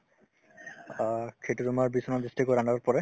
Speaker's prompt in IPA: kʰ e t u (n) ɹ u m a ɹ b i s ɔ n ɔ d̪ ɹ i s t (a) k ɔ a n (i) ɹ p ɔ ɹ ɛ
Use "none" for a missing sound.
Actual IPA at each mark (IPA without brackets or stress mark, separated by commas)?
none, i, a